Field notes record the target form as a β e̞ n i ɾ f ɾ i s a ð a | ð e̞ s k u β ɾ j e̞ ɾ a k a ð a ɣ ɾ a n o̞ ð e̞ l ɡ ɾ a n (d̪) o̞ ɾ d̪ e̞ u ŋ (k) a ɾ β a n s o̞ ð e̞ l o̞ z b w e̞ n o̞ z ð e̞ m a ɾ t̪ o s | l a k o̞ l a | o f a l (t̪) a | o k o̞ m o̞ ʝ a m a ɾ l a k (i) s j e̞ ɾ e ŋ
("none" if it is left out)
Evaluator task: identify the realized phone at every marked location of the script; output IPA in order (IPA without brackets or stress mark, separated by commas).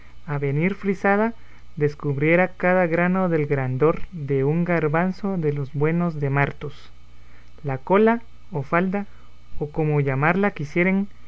d̪, ɡ, d̪, i